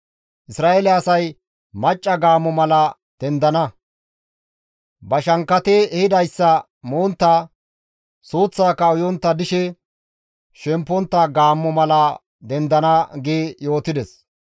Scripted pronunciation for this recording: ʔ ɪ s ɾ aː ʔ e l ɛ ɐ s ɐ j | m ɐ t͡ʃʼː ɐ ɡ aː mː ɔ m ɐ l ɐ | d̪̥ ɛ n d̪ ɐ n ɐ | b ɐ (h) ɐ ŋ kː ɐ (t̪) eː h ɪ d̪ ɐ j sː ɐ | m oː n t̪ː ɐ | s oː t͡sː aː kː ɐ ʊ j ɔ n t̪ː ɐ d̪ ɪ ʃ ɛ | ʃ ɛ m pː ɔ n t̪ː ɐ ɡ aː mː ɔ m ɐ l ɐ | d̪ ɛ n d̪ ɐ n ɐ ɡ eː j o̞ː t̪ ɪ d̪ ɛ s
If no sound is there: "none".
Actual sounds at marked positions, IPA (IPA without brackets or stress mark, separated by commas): ʃ, t̪